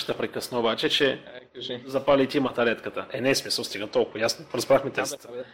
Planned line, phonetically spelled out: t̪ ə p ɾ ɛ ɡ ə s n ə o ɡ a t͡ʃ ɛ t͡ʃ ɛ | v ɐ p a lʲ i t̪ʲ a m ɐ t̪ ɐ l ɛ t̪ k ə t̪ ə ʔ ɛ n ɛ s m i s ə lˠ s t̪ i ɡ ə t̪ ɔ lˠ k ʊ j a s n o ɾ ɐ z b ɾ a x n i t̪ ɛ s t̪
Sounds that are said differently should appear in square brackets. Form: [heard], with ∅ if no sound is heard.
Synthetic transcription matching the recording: t̪ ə p ɾ ɛ [k] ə s n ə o [b] a t͡ʃ ɛ t͡ʃ ɛ | [z] ɐ p a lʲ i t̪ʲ [i] m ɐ t̪ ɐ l ɛ t̪ k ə t̪ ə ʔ ɛ n ɛ s m i s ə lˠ s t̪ i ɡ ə t̪ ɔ lˠ k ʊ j a s n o ɾ ɐ z b ɾ a x [m] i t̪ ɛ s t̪